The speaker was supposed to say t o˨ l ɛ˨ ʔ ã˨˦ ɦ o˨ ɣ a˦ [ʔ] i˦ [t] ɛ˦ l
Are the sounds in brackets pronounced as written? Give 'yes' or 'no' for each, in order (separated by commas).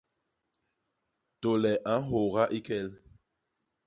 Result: yes, no